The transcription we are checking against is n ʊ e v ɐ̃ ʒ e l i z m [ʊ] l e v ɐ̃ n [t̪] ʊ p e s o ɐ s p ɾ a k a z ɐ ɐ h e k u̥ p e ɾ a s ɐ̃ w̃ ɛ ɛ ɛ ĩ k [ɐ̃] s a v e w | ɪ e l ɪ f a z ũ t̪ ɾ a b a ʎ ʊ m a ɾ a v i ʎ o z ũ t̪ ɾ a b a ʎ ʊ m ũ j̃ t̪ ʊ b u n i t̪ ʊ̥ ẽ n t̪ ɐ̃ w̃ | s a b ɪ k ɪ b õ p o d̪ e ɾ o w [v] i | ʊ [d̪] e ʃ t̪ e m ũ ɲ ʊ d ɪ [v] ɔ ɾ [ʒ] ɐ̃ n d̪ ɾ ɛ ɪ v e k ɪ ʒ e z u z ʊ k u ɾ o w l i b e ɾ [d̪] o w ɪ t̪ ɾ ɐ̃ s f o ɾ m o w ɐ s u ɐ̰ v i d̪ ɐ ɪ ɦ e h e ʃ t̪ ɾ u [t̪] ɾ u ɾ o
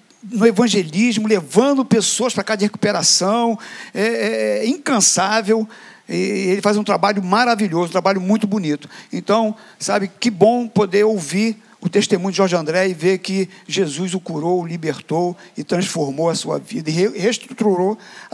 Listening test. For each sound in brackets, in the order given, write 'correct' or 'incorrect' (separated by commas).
correct, incorrect, correct, correct, incorrect, incorrect, correct, incorrect, correct